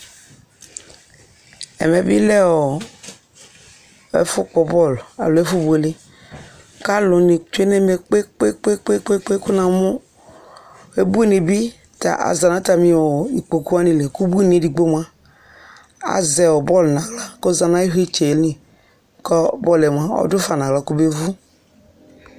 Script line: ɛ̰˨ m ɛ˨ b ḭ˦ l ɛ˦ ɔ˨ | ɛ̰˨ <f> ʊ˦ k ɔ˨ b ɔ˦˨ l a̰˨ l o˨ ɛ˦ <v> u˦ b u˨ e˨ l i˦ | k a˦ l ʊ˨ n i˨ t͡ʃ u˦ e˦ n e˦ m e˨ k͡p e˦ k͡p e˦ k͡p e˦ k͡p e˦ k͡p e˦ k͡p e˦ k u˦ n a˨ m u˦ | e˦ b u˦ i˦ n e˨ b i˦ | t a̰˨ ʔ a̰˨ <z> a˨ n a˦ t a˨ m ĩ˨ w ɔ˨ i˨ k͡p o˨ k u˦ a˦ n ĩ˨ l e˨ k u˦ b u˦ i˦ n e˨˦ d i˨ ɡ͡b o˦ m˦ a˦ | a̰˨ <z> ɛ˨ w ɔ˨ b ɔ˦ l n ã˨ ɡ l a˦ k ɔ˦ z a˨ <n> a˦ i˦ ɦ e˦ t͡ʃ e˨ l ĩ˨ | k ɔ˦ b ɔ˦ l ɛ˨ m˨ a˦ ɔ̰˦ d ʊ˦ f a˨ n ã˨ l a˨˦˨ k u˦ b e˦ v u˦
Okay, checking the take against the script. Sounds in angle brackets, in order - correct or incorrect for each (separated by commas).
correct, incorrect, correct, correct, correct